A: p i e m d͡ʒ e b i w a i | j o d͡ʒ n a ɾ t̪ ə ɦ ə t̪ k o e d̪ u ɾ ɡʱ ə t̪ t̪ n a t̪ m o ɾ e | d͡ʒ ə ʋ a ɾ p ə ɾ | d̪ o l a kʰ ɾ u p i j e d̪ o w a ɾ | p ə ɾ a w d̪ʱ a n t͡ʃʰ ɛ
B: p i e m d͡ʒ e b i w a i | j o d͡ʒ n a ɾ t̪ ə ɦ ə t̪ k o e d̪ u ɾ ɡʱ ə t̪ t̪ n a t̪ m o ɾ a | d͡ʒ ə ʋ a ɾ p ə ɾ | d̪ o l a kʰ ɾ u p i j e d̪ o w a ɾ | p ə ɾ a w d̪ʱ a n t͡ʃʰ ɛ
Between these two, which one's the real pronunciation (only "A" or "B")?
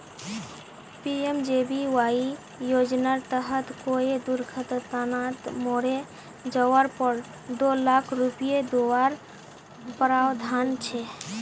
A